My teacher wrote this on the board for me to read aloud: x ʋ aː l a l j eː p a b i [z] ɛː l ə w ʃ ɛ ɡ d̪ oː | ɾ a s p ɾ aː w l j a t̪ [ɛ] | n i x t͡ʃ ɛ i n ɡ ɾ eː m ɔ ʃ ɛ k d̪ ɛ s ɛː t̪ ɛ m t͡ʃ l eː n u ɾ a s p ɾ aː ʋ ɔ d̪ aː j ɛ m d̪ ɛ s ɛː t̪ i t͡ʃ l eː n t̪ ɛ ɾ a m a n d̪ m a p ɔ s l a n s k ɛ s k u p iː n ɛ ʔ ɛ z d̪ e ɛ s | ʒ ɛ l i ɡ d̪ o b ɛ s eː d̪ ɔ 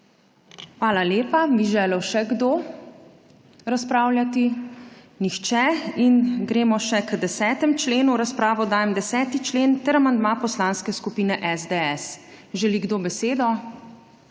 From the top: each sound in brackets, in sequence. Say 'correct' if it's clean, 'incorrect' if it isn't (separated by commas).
incorrect, incorrect